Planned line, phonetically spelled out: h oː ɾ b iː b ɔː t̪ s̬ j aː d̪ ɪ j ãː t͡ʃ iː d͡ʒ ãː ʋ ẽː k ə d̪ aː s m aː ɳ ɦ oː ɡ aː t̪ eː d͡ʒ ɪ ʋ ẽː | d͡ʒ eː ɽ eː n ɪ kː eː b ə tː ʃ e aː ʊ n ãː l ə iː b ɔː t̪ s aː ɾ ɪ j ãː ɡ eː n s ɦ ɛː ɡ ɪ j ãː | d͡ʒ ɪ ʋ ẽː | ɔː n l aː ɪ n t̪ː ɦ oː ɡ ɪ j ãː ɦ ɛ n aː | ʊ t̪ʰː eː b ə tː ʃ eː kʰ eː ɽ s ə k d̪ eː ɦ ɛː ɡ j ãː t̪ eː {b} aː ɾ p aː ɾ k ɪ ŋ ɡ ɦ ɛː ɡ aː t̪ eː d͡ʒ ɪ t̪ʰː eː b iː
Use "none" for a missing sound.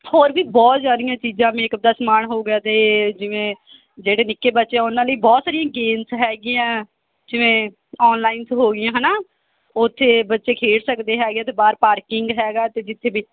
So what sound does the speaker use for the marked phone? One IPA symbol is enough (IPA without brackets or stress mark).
b